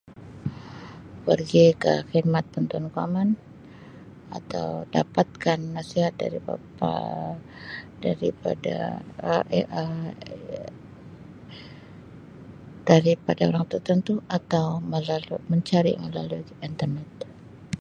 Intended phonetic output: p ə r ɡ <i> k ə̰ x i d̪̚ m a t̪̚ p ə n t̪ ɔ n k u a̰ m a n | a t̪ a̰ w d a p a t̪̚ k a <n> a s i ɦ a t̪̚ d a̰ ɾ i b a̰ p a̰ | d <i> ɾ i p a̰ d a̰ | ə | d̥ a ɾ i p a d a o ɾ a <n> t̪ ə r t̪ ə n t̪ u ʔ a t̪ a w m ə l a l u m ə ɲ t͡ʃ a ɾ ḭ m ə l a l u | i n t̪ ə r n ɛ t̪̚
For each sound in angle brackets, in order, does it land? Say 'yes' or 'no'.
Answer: yes, no, no, no

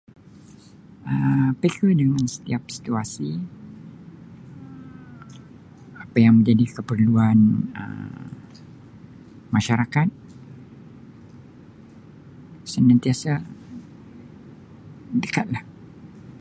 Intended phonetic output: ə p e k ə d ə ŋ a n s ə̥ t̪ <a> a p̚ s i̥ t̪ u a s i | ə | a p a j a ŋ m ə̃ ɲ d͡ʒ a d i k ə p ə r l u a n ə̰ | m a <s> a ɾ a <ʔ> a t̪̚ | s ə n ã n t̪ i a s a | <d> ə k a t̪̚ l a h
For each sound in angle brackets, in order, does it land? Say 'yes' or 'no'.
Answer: no, no, no, yes

